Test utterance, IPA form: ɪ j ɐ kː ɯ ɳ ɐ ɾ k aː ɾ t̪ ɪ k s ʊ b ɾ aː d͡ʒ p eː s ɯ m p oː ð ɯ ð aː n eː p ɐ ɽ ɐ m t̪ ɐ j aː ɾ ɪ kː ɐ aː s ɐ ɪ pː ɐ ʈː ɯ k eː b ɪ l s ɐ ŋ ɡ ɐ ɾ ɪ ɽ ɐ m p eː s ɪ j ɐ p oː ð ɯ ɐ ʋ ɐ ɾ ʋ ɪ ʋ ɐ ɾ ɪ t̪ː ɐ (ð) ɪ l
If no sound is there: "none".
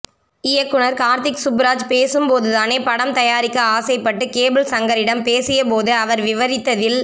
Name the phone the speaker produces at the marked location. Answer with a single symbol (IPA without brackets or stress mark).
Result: ð